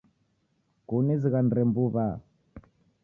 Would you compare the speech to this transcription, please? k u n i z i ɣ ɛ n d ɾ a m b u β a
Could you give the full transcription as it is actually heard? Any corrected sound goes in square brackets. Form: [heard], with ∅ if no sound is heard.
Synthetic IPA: k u n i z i ɣ [a] n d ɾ [ɛ] m b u β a